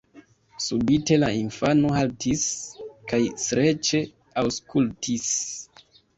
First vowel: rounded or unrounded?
rounded